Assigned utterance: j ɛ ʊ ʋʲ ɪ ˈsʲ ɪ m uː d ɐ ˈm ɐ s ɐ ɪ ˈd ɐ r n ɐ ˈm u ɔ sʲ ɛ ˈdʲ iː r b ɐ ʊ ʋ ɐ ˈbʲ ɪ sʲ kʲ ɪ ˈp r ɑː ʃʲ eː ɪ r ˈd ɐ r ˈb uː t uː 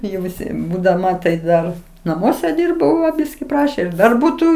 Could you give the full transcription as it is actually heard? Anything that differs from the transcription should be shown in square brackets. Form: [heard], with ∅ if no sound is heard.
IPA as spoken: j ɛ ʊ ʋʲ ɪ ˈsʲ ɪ [b] uː d ɐ ˈm ɐ [t] ɐ ɪ ˈd ɐ r n ɐ ˈm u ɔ sʲ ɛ ˈdʲ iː r b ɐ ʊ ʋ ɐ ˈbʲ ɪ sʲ kʲ ɪ ˈp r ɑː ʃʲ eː ɪ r ˈd ɐ r ˈb uː t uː